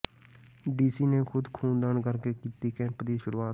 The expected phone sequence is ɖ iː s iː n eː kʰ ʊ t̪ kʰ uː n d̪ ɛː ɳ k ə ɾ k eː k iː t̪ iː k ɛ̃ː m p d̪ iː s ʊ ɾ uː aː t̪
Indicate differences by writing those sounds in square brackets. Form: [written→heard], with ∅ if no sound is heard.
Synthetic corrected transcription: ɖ iː s iː n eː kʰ ʊ [t̪→d̪] kʰ uː n d̪ [ɛː→aː] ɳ k ə ɾ k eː k iː t̪ iː k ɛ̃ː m p d̪ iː [s→ʃ] ʊ ɾ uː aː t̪